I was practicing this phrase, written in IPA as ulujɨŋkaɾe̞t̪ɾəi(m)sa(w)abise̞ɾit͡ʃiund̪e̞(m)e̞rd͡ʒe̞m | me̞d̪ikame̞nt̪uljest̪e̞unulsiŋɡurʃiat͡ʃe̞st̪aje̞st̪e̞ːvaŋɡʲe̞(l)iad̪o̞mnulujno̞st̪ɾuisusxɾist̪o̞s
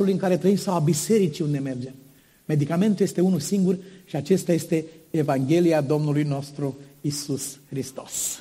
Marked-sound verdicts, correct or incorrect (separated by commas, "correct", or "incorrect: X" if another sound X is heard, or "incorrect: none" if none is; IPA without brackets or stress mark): correct, correct, correct, correct